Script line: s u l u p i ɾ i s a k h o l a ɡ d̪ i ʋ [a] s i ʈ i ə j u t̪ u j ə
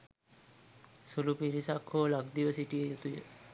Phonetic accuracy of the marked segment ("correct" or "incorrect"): incorrect